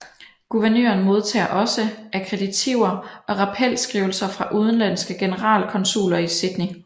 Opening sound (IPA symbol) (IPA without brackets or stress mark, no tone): ɡ̥